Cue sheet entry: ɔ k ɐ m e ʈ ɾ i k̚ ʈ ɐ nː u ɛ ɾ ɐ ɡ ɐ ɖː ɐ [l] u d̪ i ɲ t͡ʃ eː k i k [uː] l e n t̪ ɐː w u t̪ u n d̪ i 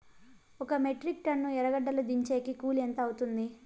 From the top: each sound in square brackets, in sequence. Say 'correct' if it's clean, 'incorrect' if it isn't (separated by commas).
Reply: correct, correct